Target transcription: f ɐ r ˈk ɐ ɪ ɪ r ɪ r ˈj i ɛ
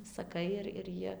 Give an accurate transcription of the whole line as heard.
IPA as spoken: s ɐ ˈk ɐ ɪ ɪ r ɪ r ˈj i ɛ